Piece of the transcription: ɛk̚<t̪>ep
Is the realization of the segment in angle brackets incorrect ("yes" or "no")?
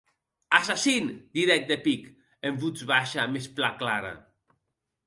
yes